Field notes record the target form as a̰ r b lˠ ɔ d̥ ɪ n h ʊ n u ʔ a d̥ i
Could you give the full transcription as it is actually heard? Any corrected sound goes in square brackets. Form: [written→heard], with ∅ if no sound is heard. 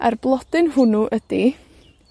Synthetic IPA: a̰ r b lˠ ɔ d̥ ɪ n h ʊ n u ʔ [a→ə] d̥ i